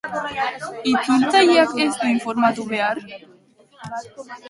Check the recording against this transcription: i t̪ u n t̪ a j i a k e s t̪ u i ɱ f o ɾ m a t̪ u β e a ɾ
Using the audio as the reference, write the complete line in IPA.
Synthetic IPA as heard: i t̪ u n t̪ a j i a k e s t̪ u i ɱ f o ɾ m a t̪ u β e a ɾ